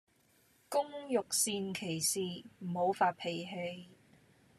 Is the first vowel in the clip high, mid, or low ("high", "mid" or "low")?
high